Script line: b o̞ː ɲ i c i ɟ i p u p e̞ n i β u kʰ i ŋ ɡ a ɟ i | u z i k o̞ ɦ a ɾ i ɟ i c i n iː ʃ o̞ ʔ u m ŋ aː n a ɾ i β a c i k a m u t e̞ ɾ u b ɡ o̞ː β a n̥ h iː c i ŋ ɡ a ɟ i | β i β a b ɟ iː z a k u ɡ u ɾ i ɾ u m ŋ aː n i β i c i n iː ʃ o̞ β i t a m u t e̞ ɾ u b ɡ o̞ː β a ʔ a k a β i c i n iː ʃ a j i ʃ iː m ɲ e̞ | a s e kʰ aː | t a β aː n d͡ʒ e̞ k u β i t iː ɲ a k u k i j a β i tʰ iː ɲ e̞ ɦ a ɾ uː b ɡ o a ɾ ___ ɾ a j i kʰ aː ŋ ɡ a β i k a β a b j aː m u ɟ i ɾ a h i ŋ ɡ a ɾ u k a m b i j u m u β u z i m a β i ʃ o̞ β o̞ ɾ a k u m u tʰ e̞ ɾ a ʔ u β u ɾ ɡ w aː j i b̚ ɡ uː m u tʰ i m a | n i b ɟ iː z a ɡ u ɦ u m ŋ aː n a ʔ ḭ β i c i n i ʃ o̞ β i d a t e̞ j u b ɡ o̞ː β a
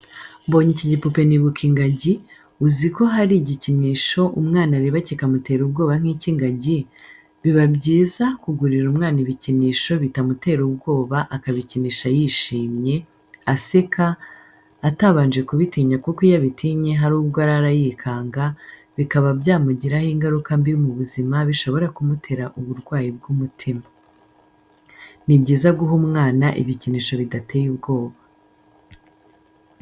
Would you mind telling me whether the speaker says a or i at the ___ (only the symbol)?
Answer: a